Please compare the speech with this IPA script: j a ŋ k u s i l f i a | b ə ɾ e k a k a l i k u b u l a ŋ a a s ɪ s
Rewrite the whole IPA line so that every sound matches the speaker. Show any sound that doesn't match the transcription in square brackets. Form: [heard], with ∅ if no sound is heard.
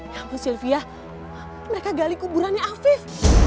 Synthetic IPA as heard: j a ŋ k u s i l f i a | [m] ə ɾ e k a [ɡ] a l i k u b u [ɾ] a [n] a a [f] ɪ [f]